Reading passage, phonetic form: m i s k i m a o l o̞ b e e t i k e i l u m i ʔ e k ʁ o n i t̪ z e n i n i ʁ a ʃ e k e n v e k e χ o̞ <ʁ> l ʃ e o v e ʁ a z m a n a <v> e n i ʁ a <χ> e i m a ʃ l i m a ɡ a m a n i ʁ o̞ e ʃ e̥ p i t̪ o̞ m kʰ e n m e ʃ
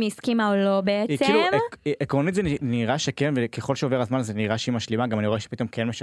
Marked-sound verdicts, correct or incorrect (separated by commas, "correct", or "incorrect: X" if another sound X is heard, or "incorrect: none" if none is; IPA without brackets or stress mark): incorrect: none, incorrect: z, incorrect: ʃ